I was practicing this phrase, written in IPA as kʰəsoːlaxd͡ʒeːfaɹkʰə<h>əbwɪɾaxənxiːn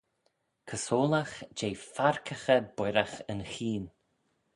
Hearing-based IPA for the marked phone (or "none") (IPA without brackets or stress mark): x